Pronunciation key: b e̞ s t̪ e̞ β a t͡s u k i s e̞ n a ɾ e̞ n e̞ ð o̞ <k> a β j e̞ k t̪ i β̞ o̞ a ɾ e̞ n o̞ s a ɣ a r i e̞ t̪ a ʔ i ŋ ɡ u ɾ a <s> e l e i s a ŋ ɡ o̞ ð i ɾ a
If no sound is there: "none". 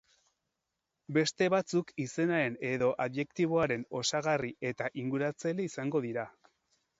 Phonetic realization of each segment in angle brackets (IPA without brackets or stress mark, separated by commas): ʔ, t͡s